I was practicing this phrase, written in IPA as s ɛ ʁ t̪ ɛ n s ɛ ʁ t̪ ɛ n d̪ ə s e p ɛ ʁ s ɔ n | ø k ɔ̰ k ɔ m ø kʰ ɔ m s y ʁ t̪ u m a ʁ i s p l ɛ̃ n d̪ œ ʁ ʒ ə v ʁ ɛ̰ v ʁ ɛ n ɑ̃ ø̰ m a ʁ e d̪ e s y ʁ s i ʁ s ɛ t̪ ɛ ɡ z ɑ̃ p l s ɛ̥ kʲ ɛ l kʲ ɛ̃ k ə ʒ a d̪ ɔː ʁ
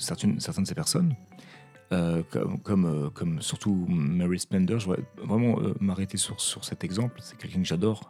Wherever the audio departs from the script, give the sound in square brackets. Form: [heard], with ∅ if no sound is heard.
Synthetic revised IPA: s ɛ ʁ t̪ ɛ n s ɛ ʁ t̪ ɛ n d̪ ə s e p ɛ ʁ s ɔ n | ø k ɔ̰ k ɔ m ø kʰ ɔ m s y ʁ t̪ u m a ʁ i s p l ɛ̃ n d̪ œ ʁ ʒ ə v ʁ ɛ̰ v ʁ ɛ [m] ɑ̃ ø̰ m a ʁ e [t̪] e s y ʁ s [y] ʁ s ɛ t̪ ɛ ɡ z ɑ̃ p l s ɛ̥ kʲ ɛ l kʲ ɛ̃ k ə ʒ a d̪ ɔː ʁ